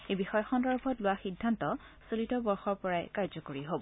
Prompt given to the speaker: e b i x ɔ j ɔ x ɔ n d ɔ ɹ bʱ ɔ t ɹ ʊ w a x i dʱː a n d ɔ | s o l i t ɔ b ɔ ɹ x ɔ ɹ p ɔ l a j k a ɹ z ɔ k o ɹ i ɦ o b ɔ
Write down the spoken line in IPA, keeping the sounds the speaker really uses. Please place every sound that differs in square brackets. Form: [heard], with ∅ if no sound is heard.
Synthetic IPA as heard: e b i x ɔ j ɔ x ɔ n d ɔ ɹ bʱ ɔ t [l] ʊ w a x i dʱː a n [t] ɔ | s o l i t ɔ b ɔ ɹ x ɔ ɹ p ɔ [ɹ] a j k a ɹ z ɔ k o ɹ i ɦ o b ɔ